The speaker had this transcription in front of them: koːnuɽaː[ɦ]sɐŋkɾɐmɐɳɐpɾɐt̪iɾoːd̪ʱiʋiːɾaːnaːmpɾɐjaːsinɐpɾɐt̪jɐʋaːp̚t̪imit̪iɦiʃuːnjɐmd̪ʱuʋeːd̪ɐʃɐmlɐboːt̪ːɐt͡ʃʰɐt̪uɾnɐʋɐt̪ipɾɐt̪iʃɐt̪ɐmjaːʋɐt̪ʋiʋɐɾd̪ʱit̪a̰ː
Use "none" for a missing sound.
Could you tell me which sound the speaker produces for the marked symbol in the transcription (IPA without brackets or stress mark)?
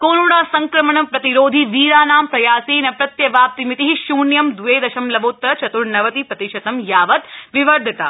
none